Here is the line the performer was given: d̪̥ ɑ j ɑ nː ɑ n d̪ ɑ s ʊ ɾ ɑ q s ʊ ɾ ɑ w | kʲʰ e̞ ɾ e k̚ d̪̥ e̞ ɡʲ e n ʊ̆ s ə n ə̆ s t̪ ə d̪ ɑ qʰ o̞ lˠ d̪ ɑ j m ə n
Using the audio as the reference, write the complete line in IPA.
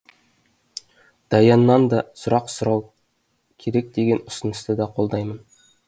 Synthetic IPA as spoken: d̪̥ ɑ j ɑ nː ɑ n d̪ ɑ s ʊ ɾ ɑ q s ʊ ɾ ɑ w | kʲʰ e̞ ɾ e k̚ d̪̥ e̞ ɡʲ e n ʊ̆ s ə n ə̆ s t̪ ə d̪ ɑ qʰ o̞ lˠ d̪ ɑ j m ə n